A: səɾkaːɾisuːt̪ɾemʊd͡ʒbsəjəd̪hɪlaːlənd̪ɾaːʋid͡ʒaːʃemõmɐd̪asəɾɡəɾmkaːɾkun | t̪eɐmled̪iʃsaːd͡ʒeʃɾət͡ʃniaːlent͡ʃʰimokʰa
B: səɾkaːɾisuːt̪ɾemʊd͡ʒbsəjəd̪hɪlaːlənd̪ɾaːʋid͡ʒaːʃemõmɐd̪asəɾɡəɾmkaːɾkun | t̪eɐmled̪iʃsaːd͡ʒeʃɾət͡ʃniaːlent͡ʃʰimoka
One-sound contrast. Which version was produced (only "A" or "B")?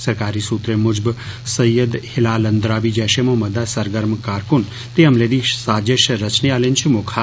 A